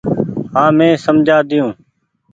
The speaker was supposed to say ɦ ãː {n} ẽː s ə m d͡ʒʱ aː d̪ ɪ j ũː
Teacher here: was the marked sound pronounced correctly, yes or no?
no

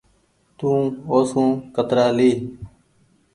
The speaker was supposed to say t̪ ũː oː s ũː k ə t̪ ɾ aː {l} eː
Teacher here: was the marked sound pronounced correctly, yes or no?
yes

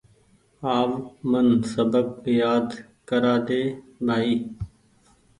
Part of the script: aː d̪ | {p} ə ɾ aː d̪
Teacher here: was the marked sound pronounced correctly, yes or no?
no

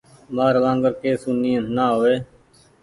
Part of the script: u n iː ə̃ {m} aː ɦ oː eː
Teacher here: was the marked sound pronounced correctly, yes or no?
no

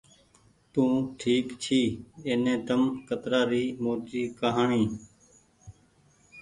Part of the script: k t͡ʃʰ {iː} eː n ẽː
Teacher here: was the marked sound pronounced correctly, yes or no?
yes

